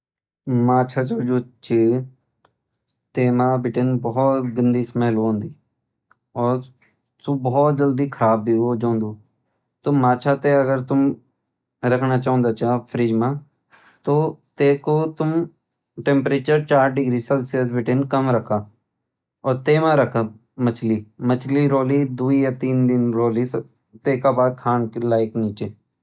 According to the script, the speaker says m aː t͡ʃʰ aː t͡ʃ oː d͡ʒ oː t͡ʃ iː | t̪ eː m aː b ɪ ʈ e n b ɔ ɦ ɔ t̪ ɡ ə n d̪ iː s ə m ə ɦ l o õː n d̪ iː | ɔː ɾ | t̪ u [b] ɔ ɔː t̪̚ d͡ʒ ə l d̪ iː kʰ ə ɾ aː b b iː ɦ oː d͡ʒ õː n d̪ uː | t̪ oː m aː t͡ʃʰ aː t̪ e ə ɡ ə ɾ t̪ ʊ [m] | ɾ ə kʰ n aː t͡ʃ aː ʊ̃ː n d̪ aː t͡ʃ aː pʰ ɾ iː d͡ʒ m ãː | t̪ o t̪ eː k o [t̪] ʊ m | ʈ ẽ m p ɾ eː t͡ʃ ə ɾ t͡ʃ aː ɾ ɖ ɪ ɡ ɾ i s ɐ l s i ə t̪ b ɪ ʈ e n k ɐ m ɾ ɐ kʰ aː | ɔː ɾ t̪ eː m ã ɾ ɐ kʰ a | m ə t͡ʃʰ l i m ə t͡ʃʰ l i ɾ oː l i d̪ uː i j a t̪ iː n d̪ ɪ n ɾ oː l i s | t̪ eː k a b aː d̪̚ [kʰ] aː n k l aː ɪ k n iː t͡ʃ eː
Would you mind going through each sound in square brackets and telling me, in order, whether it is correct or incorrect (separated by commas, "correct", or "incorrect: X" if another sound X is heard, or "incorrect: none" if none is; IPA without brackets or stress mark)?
correct, correct, correct, correct